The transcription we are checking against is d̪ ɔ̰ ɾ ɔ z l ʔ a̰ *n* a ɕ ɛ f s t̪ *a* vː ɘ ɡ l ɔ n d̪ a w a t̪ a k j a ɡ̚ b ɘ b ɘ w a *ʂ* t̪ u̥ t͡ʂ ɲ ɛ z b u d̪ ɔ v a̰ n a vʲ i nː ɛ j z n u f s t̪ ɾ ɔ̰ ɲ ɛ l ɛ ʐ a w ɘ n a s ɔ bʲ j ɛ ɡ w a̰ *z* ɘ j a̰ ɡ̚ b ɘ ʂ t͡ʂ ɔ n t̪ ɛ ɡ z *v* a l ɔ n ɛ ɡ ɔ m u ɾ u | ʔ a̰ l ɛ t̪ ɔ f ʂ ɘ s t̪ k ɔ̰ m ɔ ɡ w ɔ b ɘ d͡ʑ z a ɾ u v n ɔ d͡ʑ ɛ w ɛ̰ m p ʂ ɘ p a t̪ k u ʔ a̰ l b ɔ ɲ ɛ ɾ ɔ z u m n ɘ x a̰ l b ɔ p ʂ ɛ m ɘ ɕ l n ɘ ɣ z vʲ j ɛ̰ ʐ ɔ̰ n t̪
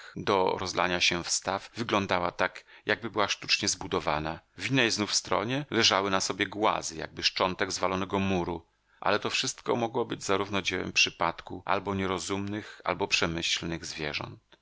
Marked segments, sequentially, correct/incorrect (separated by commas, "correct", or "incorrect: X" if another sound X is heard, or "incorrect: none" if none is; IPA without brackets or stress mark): incorrect: ɲ, correct, correct, correct, correct